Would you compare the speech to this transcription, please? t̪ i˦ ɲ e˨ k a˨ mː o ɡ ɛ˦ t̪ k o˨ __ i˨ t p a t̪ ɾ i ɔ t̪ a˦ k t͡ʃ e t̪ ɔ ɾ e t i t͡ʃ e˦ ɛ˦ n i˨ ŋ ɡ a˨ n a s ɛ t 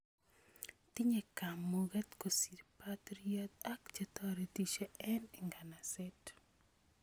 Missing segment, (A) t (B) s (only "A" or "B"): B